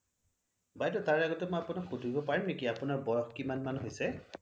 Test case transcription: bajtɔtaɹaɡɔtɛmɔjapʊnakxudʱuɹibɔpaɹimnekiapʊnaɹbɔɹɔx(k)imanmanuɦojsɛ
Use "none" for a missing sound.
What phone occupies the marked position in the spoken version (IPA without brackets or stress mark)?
k